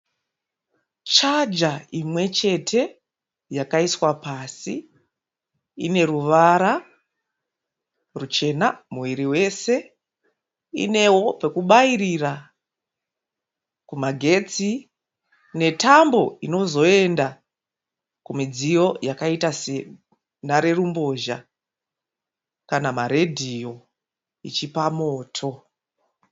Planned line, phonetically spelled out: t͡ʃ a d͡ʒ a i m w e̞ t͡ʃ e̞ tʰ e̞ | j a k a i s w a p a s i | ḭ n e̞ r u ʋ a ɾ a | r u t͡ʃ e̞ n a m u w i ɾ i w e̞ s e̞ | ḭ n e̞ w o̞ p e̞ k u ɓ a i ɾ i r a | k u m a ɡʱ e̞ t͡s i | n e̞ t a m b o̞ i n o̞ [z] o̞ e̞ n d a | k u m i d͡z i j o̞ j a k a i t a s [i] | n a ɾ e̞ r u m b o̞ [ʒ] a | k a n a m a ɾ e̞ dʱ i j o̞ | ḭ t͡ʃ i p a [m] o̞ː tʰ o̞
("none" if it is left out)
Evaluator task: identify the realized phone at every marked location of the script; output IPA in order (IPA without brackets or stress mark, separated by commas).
z, e, ʒ, m